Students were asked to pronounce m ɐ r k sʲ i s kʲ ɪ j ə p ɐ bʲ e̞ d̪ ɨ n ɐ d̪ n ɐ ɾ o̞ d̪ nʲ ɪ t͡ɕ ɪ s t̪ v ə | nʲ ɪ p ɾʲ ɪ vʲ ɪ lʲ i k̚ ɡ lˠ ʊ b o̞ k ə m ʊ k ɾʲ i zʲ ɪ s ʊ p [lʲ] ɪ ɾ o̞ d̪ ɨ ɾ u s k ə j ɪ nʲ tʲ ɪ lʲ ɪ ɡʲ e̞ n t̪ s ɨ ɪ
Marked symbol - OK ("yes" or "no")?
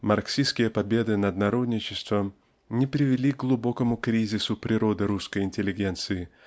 no